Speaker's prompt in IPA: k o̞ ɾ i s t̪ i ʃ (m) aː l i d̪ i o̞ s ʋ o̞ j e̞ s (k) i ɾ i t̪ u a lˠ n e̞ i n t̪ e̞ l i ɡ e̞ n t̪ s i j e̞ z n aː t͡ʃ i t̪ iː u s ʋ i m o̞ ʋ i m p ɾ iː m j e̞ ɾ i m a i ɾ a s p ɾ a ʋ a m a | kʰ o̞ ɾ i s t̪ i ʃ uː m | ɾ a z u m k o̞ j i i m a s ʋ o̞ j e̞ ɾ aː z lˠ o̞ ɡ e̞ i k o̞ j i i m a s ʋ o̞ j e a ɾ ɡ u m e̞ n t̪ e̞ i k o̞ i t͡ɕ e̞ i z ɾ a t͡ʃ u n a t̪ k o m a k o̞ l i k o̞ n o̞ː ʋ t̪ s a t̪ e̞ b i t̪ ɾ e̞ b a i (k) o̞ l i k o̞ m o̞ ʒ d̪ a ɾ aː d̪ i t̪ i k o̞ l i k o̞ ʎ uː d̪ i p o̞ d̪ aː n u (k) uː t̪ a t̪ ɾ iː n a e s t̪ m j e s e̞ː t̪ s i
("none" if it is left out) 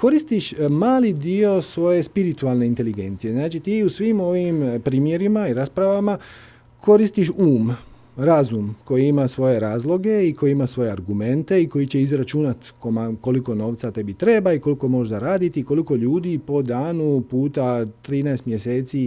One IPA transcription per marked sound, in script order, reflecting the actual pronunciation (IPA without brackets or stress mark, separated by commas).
m, p, k, p